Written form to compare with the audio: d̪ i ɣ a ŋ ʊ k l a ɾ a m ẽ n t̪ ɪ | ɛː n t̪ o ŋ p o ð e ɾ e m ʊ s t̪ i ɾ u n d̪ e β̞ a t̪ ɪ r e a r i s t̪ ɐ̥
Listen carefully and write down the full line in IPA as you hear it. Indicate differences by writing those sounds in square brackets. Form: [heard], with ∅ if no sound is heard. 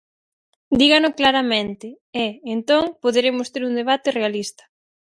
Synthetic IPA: d̪ i ɣ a [n] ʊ k l a ɾ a m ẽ n t̪ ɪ | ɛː n t̪ o ŋ p o ð e ɾ e m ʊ s t̪ [e] ɾ u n d̪ e β̞ a t̪ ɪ r e a [l] i s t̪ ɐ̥